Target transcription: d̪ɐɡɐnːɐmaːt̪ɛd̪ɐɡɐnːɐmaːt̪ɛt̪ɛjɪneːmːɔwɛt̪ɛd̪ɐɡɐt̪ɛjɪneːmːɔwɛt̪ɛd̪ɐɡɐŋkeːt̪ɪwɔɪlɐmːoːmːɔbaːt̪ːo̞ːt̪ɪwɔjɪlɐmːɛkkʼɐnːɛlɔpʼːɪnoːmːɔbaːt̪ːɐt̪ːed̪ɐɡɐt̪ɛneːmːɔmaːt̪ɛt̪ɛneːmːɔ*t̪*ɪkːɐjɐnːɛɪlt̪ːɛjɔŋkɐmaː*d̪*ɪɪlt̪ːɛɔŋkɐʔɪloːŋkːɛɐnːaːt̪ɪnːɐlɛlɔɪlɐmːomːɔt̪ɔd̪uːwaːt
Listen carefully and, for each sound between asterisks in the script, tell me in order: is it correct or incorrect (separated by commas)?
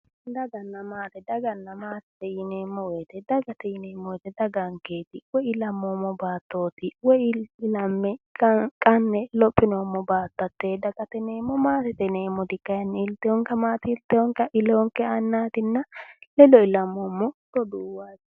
incorrect, incorrect